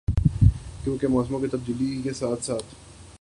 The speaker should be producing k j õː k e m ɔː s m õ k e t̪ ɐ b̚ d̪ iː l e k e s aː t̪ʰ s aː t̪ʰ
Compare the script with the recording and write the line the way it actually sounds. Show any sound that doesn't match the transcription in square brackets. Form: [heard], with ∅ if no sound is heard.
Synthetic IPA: k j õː k e m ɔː s m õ k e t̪ ɐ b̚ d̪ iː l [i] k e s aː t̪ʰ s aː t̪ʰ